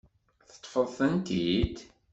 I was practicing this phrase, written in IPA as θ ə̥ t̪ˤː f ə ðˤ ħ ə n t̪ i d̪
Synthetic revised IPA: θ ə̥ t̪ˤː f ə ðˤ θ ə n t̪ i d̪